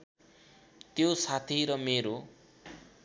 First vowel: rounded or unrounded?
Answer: rounded